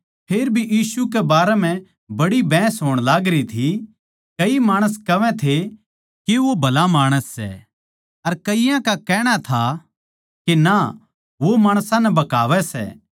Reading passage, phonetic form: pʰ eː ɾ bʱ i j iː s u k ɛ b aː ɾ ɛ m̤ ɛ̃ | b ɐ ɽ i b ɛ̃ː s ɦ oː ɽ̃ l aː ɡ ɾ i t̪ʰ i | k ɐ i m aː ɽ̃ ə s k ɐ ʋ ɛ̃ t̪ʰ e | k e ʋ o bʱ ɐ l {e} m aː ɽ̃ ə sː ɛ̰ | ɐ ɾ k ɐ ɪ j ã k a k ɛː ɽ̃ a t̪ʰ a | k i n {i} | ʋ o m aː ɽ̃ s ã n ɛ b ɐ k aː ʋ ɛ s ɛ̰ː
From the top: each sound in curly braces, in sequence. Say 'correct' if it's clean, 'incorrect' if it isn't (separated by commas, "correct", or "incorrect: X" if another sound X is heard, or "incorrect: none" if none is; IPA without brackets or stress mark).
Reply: incorrect: a, incorrect: a